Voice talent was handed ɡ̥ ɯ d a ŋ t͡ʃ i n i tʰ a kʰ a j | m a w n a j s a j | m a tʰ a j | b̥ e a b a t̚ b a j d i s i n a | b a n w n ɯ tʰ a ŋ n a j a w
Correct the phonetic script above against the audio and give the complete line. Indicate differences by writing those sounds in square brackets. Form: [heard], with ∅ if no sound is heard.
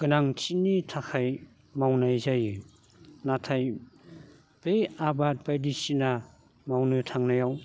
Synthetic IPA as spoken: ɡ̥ ɯ [n] a ŋ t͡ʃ i n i tʰ a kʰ a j | m a w n a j [z] a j | [n] a tʰ a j | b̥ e a b a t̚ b a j d i s i n a | [m] a [∅] w n ɯ tʰ a ŋ n a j a w